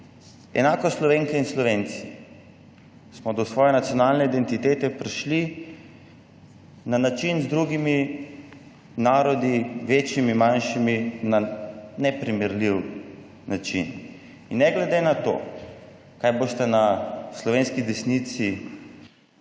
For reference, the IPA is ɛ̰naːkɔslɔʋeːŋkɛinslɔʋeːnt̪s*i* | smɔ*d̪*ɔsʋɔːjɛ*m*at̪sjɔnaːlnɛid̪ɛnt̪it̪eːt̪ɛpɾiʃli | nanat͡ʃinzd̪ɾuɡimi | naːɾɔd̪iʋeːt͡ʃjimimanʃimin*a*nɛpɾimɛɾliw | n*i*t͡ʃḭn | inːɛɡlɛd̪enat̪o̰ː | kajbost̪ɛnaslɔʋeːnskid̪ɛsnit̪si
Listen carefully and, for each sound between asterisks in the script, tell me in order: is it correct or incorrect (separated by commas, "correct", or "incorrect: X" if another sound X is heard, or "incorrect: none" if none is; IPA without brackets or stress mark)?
correct, correct, incorrect: n, correct, incorrect: a